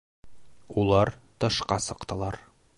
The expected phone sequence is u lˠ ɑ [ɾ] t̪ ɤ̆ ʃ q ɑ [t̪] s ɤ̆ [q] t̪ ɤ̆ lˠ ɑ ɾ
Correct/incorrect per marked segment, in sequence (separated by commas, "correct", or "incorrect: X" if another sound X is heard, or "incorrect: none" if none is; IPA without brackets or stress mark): correct, incorrect: none, correct